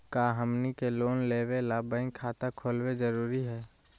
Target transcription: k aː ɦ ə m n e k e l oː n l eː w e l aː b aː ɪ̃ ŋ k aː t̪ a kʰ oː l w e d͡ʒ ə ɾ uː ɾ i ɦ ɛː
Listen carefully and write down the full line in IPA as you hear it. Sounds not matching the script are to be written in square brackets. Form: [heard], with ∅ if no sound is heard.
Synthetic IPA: k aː ɦ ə m n [i] k e l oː n l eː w e l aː b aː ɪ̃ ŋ [kʰ] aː t̪ a kʰ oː l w e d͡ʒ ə ɾ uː ɾ i ɦ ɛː